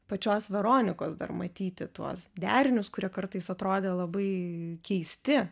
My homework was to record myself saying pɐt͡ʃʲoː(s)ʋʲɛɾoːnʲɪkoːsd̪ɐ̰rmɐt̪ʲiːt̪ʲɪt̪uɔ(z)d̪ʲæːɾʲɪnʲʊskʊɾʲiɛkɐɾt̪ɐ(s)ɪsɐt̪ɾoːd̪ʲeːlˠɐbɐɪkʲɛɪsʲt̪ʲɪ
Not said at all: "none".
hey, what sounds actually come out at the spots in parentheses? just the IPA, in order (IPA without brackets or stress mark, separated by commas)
s, s, none